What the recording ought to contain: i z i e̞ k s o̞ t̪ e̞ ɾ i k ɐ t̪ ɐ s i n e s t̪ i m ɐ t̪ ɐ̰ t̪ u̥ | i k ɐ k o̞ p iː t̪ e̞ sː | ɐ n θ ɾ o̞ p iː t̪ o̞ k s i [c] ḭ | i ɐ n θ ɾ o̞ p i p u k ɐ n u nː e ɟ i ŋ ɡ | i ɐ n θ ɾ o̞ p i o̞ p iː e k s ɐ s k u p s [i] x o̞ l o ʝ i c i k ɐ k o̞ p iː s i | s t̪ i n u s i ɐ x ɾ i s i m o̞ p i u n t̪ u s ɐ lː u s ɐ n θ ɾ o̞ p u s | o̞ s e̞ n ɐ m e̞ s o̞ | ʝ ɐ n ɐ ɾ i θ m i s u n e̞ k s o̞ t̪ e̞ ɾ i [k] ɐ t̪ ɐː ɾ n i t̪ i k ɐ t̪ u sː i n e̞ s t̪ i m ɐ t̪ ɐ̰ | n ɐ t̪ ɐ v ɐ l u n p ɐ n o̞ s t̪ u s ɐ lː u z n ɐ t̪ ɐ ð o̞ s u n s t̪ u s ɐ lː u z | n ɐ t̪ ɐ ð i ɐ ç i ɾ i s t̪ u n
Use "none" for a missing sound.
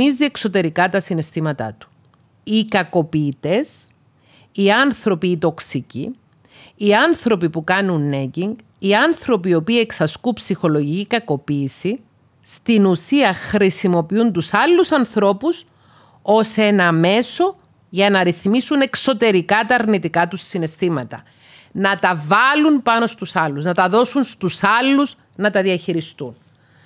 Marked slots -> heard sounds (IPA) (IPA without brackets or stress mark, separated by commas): c, i, k